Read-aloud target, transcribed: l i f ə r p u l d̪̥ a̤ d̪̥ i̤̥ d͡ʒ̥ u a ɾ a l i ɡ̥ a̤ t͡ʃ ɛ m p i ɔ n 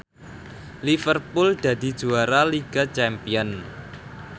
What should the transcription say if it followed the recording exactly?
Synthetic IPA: l i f ə r p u l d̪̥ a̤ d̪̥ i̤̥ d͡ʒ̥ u a ɾ a l i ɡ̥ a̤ t͡ʃ ɛ m p i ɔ n